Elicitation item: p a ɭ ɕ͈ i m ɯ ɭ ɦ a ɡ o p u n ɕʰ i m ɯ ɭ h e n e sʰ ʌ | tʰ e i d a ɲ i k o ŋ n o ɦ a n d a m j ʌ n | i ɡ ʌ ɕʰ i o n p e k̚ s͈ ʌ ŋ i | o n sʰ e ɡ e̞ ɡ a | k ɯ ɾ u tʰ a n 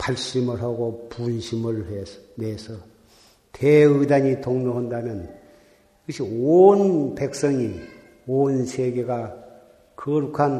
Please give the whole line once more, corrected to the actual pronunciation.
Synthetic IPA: p a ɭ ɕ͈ i m ɯ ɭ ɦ a ɡ o p u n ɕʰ i m ɯ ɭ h e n e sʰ ʌ | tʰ e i d a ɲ i t o ŋ n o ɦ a n d a m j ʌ n | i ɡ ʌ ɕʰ i o n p e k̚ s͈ ʌ ŋ i | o n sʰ e ɡ e̞ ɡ a | k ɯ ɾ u kʰ a n